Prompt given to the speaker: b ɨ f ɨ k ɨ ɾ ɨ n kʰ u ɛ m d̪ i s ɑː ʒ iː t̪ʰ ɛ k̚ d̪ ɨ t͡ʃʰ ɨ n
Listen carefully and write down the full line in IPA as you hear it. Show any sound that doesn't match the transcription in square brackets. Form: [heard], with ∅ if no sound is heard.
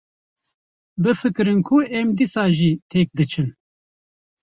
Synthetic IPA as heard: b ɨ f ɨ k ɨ ɾ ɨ n kʰ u ɛ m d̪ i s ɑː ʒ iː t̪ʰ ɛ k̚ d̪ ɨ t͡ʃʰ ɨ n